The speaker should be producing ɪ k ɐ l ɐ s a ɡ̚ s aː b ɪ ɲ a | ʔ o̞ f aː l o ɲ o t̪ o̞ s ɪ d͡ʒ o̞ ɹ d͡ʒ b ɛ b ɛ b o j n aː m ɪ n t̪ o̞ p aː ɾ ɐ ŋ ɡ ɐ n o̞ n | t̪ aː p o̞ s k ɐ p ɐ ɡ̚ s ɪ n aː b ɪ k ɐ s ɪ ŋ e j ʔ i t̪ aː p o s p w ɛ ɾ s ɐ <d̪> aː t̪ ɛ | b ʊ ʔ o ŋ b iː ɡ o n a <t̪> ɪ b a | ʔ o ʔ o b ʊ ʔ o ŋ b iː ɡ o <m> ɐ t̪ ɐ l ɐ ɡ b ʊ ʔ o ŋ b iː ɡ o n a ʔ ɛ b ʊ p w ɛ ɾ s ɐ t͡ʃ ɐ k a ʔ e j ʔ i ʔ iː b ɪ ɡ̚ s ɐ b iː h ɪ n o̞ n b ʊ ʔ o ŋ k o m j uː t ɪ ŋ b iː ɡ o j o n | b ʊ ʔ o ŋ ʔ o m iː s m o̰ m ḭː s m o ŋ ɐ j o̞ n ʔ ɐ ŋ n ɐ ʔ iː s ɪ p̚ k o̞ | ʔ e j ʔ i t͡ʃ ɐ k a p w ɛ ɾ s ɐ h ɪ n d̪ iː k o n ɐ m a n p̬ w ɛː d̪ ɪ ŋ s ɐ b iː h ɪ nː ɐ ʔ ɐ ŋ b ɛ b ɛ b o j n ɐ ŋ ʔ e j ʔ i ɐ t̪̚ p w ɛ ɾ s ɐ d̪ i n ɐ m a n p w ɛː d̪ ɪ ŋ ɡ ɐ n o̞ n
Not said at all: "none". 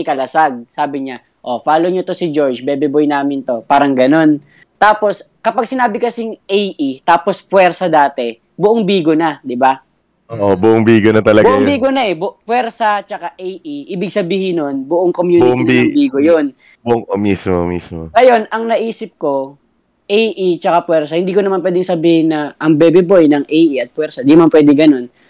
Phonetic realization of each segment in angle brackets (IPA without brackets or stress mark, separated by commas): d̪, d̪, n